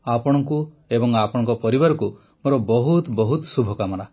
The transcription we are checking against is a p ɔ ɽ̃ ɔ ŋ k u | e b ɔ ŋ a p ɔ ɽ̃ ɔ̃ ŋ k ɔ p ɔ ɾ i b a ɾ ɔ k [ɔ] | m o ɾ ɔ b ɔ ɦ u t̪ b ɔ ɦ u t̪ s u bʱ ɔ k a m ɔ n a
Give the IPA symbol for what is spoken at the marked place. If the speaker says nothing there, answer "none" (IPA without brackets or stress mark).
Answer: u